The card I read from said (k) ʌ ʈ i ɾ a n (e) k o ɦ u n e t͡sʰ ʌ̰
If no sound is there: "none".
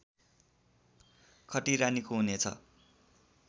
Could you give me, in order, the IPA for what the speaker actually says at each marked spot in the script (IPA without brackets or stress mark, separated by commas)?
kʰ, i